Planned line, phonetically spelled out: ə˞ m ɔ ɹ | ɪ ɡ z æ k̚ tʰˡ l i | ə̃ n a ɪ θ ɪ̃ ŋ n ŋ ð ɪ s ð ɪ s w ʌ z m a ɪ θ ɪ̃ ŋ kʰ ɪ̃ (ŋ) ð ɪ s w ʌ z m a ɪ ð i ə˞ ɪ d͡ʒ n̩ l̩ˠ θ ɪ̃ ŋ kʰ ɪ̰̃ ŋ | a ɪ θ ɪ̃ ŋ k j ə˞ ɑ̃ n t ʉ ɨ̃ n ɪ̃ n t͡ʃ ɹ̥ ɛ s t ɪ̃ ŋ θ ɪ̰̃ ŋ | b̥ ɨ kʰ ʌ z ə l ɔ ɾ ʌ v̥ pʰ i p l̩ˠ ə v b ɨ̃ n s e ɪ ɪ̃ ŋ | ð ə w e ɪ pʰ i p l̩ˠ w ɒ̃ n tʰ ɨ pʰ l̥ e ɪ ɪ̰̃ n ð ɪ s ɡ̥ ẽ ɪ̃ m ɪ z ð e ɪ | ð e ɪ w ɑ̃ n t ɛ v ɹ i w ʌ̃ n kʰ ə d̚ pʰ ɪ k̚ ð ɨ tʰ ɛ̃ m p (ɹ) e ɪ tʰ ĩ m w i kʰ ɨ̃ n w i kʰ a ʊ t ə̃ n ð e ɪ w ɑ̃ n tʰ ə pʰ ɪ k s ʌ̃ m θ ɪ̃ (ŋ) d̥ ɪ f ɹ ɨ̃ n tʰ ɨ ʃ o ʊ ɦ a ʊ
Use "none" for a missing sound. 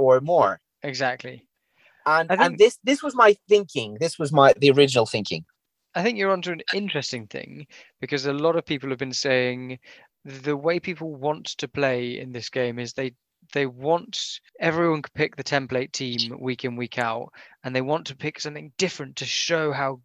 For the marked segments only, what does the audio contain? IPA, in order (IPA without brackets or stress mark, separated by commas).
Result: ŋ, l, ŋ